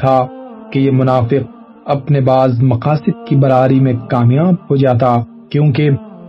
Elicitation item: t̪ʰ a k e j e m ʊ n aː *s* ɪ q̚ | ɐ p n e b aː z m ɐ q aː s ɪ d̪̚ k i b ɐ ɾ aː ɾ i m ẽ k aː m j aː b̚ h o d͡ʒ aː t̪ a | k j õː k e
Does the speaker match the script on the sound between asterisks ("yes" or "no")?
no